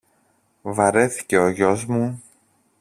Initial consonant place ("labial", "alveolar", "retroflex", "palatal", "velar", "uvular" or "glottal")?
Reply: labial